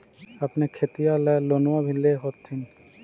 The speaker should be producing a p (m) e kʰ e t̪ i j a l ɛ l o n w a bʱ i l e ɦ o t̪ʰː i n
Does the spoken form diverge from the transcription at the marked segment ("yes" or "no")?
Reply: yes